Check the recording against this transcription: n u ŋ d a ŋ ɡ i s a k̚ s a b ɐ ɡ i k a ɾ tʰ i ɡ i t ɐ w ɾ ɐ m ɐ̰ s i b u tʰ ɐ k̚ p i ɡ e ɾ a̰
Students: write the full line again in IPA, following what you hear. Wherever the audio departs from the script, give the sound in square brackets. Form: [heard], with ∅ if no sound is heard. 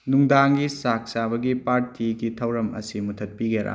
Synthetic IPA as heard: n u ŋ d a ŋ ɡ i s a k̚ s a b ɐ ɡ i [p] a ɾ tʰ i ɡ i [tʰ] ɐ w ɾ ɐ m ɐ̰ s i [m] u tʰ ɐ [t̚] p i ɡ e ɾ a̰